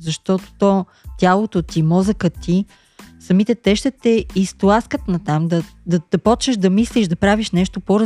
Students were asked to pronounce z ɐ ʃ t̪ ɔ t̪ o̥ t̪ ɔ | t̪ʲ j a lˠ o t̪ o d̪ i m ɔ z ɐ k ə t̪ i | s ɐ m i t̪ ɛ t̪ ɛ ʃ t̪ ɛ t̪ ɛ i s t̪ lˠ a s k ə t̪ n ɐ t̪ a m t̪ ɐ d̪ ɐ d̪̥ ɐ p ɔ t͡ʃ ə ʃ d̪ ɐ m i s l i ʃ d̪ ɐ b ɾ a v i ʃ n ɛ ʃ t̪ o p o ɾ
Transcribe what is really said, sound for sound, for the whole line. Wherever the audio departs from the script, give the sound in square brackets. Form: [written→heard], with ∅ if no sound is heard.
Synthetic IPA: z ɐ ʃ t̪ ɔ t̪ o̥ t̪ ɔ | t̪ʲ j a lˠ o t̪ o [d̪→t̪] i m ɔ z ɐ k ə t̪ i | s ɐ m i t̪ ɛ t̪ ɛ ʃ t̪ ɛ t̪ ɛ i s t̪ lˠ a s k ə t̪ n ɐ t̪ a m [t̪→d̪] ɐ d̪ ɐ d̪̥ ɐ p ɔ t͡ʃ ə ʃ d̪ ɐ m i s l i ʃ d̪ ɐ [b→p] ɾ a v i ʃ n ɛ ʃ t̪ o p o ɾ